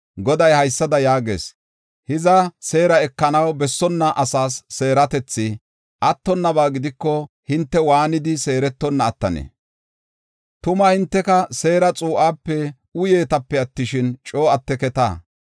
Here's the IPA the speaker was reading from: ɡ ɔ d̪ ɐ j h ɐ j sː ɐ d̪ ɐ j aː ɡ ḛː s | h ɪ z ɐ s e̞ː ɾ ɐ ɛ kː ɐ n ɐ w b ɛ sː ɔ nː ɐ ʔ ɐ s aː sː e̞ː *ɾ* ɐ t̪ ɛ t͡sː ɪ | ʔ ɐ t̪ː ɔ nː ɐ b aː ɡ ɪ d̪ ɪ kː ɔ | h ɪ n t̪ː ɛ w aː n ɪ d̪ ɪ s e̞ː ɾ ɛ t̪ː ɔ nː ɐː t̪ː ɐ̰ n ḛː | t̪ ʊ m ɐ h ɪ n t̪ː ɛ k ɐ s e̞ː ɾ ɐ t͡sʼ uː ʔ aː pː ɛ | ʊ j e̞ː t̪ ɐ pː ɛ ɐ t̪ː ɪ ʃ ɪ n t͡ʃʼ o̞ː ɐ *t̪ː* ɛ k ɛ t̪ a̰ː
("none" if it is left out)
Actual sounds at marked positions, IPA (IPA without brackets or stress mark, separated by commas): ɾ, t̪ː